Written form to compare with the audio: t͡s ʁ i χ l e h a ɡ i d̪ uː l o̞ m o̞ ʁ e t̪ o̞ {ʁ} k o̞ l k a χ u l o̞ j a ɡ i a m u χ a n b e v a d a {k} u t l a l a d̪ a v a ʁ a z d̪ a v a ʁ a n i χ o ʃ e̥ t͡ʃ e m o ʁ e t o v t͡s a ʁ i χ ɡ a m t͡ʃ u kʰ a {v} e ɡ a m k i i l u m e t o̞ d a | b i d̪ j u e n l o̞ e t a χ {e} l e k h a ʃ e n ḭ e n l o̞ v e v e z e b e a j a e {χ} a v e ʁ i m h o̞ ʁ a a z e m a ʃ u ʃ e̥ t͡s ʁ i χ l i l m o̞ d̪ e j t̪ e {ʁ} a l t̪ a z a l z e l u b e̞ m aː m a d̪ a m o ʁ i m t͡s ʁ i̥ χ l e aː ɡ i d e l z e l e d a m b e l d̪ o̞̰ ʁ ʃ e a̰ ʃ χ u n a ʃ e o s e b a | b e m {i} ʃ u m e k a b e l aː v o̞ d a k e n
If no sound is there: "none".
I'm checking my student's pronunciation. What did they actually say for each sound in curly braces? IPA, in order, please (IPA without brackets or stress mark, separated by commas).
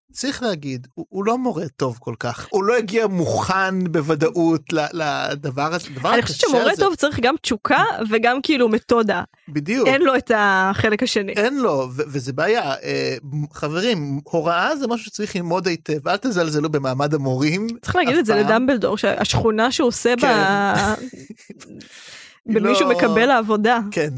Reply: v, ʔ, v, e, χ, v, i